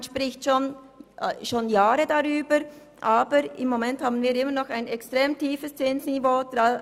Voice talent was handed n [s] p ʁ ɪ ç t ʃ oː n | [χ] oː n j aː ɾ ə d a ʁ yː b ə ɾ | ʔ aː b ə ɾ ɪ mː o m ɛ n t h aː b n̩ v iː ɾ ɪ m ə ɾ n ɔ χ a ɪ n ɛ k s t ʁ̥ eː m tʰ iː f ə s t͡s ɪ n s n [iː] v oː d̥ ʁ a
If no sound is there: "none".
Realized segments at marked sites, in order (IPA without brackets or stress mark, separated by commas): ʃ, ʃ, i